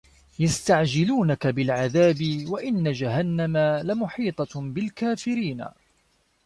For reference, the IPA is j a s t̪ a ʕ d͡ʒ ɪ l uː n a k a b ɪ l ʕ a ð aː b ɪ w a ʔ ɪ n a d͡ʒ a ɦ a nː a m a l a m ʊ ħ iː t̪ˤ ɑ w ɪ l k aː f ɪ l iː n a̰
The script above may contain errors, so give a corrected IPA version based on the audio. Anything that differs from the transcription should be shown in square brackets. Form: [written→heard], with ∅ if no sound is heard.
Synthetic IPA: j a s t̪ a ʕ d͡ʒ ɪ l uː n a k a b ɪ l ʕ a ð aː b ɪ w a ʔ ɪ [n→nː] a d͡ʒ a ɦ a nː a m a l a m ʊ ħ iː t̪ˤ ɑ [w→b] ɪ l k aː f ɪ [l→ɾ] iː n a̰